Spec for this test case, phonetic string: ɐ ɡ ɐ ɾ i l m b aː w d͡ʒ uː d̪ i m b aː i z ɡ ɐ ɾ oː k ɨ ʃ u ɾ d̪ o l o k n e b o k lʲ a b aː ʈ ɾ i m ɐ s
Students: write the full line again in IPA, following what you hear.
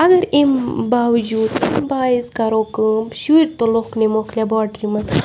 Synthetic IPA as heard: ɐ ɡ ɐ ɾ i m b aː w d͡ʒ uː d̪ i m b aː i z k ɐ ɾ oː k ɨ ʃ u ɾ t̪ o l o k n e m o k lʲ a b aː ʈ ɾ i m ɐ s